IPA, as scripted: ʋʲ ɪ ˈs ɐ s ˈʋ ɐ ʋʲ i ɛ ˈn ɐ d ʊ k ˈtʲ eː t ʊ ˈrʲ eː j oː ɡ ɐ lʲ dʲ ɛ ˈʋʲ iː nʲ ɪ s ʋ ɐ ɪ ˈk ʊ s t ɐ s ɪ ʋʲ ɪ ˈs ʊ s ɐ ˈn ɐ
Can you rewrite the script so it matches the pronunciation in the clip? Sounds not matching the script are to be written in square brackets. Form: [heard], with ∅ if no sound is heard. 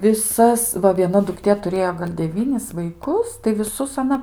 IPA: ʋʲ ɪ ˈs ɐ s ˈʋ ɐ ʋʲ i ɛ ˈn ɐ d ʊ k ˈtʲ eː t ʊ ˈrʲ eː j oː ɡ ɐ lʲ dʲ ɛ ˈʋʲ iː nʲ ɪ s ʋ ɐ ɪ ˈk ʊ s t ɐ [∅] ɪ ʋʲ ɪ ˈs ʊ s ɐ ˈn ɐ